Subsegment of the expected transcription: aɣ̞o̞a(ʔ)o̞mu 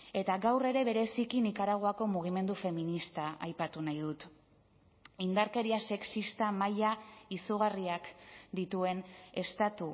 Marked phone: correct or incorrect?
incorrect